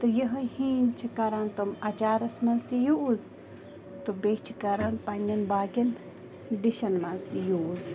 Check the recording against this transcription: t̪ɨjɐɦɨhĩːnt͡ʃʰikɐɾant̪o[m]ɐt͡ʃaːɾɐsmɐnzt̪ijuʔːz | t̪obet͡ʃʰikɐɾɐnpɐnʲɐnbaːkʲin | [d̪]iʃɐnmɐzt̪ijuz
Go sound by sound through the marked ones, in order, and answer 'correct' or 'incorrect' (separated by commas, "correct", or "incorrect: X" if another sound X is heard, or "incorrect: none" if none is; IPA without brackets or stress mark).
correct, correct